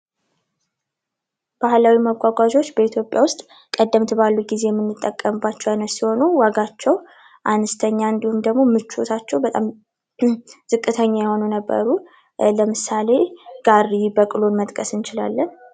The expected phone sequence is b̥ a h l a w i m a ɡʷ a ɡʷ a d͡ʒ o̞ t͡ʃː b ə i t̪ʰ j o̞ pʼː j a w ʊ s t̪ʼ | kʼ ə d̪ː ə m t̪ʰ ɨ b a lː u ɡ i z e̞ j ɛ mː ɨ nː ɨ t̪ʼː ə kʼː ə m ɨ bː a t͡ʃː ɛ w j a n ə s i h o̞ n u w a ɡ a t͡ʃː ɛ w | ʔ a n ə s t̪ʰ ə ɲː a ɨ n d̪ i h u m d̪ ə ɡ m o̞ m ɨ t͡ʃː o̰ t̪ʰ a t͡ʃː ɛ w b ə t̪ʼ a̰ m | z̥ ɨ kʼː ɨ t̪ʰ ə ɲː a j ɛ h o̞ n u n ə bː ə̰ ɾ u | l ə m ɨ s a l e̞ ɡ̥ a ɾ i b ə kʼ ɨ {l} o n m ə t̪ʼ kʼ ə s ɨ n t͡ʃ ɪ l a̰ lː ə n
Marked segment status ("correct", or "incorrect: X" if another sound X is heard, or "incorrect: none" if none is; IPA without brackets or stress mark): correct